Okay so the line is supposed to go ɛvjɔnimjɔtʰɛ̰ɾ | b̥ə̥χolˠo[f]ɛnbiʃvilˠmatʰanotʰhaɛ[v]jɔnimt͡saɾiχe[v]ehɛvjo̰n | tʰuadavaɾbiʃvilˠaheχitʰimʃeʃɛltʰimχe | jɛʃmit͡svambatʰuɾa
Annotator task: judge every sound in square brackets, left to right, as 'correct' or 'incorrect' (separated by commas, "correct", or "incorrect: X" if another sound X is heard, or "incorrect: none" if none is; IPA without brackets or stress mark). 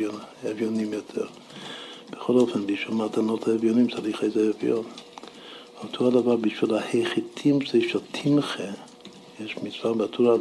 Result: correct, correct, incorrect: z